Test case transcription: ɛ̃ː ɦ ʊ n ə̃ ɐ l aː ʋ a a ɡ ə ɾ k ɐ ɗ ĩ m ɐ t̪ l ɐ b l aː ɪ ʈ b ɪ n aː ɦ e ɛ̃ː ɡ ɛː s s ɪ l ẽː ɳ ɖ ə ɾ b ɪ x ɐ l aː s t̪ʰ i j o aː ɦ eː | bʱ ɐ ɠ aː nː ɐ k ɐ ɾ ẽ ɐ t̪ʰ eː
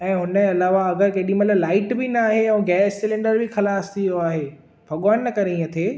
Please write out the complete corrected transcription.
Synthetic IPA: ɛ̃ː ɦ ʊ n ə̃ ɐ l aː ʋ a ɐ ɡ ə ɾ k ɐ ɗ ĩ m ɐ t̪ l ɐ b l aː ɪ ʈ b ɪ n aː ɦ e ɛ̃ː ɡ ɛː s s ɪ l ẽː ɳ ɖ ə ɾ b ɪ x ɐ l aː s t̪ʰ i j o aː ɦ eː | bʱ ɐ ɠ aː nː ɐ k ɐ ɾ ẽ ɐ t̪ʰ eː